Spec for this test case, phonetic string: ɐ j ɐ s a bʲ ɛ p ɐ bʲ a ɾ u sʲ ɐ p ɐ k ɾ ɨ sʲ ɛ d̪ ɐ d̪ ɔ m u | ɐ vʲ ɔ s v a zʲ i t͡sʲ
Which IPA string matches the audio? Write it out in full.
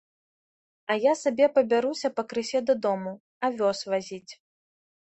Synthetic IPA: ɐ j a s a bʲ ɛ p ɐ bʲ a ɾ u sʲ ɐ p ɐ k ɾ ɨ sʲ ɛ d̪ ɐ d̪ ɔ m u | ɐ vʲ ɔ s v a zʲ i t͡sʲ